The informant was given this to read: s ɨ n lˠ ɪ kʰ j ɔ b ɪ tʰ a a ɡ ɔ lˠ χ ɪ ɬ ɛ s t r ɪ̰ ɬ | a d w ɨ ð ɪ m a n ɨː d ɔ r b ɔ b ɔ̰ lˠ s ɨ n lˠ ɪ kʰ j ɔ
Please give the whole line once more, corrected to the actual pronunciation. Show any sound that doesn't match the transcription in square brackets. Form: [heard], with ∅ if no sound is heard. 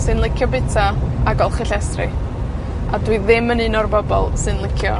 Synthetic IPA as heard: s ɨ n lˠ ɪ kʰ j ɔ b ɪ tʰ a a ɡ ɔ lˠ χ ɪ ɬ ɛ s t r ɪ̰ [∅] | a d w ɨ ð ɪ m [ə] n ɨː [n] ɔ r b ɔ b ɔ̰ lˠ s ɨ n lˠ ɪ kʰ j ɔ